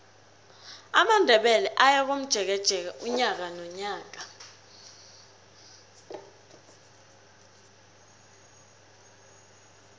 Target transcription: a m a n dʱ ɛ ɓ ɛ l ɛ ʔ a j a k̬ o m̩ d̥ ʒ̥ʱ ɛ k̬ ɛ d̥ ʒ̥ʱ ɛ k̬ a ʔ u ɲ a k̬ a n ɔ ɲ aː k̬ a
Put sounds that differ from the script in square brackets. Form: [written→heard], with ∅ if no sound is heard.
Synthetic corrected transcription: a m a n dʱ ɛ ɓ ɛ l ɛ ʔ a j a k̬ o m̩ d̥ ʒ̥ʱ ɛ k̬ ɛ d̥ ʒ̥ʱ ɛ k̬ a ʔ u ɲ a k̬ a n ɔ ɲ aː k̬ a